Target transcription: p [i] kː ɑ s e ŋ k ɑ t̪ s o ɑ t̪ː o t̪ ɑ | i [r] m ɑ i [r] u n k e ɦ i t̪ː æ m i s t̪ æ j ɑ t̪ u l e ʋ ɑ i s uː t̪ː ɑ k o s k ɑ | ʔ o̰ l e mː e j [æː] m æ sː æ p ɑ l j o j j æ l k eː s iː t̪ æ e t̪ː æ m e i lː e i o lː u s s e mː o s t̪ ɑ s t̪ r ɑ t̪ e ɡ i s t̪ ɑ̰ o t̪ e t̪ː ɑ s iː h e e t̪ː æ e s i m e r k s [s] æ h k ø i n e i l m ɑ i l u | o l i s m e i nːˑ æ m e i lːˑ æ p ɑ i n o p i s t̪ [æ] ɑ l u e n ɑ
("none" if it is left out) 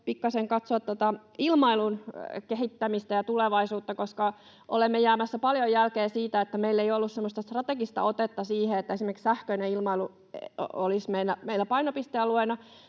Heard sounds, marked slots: i, l, l, æː, s, e

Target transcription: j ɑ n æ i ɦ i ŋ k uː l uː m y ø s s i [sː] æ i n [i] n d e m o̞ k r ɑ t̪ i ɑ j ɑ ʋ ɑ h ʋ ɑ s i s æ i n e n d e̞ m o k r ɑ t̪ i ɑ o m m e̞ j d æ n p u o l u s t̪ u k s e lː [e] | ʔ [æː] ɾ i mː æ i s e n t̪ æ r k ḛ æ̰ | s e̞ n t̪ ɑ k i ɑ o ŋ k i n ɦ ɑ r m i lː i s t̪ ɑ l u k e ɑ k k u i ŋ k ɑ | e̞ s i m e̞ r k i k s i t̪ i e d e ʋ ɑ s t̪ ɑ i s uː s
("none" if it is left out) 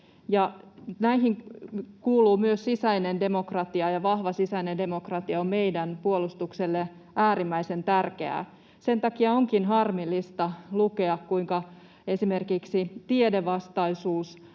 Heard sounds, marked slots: s, e, e, æː

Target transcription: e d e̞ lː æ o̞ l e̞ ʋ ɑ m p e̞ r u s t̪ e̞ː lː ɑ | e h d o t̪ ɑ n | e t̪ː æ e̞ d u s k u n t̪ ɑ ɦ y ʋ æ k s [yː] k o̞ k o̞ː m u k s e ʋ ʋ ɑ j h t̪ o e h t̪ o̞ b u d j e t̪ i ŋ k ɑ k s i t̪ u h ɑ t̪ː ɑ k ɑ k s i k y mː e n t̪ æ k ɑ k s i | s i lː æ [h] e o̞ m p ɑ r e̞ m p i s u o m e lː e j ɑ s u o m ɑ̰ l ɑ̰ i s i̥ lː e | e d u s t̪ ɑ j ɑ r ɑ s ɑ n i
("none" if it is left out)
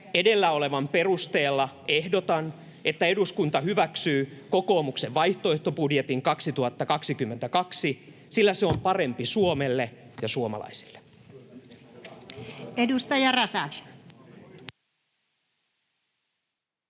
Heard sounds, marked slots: yː, s

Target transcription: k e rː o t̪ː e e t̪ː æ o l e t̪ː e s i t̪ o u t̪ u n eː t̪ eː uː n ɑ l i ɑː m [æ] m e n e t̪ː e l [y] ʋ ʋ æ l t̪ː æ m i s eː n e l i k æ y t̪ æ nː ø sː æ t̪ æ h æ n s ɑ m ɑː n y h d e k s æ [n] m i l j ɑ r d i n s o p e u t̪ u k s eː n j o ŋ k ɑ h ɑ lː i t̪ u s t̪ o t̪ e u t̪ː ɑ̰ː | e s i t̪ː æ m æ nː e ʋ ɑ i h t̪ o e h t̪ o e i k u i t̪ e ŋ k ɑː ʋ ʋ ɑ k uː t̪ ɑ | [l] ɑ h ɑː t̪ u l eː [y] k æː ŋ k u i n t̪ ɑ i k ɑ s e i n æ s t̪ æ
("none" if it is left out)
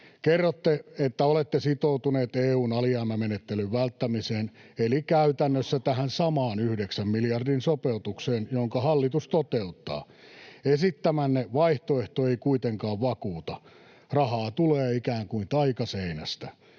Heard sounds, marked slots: æ, y, m, r, i

